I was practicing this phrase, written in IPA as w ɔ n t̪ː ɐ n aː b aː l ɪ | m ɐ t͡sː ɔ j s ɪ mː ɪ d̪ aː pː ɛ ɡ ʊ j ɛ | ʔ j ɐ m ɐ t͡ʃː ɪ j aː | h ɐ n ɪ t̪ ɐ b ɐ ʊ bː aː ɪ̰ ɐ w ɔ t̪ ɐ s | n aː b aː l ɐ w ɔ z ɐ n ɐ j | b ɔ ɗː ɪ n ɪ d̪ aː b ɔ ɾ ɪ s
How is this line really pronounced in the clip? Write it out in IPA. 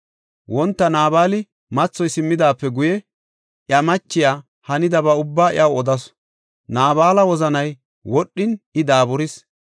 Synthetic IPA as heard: w ɔ n t̪ː ɐ n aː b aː l ɪ | m ɐ t͡sː ɔ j s ɪ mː ɪ d̪ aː pː ɛ ɡ ʊ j ɛ | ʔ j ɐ m ɐ t͡ʃː ɪ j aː | h ɐ n ɪ d̪ ɐ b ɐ ʊ bː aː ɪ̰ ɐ w ɔ d̪ ɐ s | n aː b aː l ɐ w ɔ z ɐ n ɐ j | w ɔ ɗː ɪ n ɪ d̪ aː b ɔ ɾ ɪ s

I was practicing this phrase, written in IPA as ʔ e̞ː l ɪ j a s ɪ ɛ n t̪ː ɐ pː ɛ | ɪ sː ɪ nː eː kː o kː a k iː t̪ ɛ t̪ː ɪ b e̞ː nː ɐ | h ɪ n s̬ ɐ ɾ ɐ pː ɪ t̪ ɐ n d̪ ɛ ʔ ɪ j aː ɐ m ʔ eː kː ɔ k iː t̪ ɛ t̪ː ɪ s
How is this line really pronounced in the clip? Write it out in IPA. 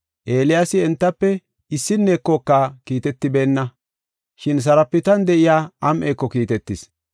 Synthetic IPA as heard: ʔ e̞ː l ɪ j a s ɪ ɛ n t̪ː ɐ pː ɛ | ɪ sː ɪ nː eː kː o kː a k iː t̪ ɛ t̪ː ɪ b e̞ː nː ɐ | ʃ ɪ n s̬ ɐ ɾ ɐ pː ɪ t̪ ɐ n d̪ ɛ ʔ ɪ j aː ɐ m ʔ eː kː ɔ k iː t̪ ɛ t̪ː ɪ s

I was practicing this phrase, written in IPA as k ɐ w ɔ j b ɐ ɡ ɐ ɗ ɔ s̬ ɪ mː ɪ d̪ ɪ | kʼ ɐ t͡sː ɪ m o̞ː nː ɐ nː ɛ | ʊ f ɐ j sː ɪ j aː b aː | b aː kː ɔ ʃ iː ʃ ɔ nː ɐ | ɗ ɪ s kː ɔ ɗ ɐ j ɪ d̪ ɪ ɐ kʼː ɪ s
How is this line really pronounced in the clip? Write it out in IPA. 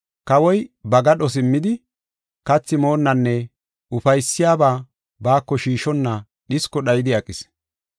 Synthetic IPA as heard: k ɐ w ɔ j b ɐ ɡ ɐ ɗ ɔ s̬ ɪ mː ɪ d̪ ɪ | k ɐ t͡sː ɪ m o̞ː nː ɐ nː ɛ | ʊ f ɐ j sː ɪ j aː b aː | b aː kː ɔ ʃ iː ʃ ɔ nː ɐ | ɗ ɪ s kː ɔ ɗ ɐ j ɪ d̪ ɪ ɐ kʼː ɪ s

